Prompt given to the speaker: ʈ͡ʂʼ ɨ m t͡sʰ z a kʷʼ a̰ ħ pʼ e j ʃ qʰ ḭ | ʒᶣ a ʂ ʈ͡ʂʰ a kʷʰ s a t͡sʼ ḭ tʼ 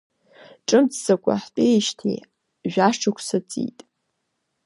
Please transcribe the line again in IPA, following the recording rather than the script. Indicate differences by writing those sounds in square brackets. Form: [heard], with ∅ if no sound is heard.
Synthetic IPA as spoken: ʈ͡ʂʼ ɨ m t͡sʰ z a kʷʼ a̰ ħ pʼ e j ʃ [tʰ] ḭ | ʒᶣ a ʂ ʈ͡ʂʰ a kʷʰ s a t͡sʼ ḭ tʼ